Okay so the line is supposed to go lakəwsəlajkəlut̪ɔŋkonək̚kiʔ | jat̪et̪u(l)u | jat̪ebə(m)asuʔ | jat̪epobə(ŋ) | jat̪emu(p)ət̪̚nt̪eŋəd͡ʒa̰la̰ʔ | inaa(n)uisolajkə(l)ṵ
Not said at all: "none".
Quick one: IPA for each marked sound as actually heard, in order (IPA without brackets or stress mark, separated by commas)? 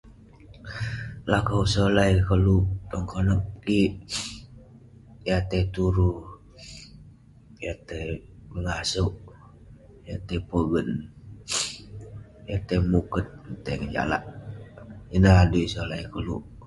ɾ, ŋ, n, k, d, l